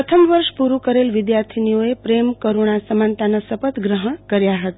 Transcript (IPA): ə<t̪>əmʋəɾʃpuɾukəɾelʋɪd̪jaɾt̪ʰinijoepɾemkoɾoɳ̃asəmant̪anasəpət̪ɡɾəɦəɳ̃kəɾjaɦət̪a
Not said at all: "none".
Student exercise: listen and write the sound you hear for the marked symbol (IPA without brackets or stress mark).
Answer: t̪ʰ